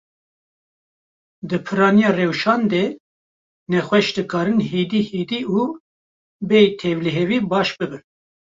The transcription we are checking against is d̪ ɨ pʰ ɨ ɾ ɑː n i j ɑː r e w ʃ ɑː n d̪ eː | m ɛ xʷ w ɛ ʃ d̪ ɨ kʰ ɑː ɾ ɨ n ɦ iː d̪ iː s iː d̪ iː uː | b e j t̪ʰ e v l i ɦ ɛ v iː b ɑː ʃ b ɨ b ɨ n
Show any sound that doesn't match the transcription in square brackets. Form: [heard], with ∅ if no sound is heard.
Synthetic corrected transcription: d̪ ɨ pʰ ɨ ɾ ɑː n i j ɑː r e w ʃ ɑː n d̪ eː | [n] ɛ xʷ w ɛ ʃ d̪ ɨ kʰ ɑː ɾ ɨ n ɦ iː d̪ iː [h] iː d̪ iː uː | b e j t̪ʰ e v l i ɦ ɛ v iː b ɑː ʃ b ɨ b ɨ n